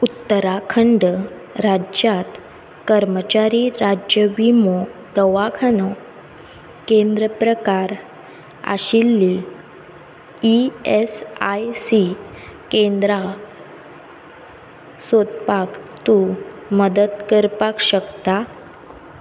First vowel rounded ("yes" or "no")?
yes